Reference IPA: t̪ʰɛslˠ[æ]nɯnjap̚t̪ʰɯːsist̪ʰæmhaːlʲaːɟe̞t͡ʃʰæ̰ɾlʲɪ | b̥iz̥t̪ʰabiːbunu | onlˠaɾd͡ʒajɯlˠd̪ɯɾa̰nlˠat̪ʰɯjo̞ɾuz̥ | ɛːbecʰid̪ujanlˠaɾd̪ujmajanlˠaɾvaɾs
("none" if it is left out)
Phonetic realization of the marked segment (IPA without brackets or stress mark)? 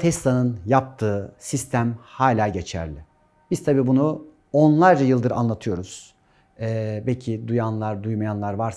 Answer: a